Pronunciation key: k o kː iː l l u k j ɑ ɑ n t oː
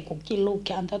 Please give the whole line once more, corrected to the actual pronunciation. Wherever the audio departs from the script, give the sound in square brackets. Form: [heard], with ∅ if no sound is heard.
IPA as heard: k [u] kː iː l l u k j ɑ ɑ n t [o]